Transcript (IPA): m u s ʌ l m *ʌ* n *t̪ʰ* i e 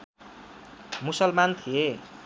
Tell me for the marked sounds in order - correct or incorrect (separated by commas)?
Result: incorrect, correct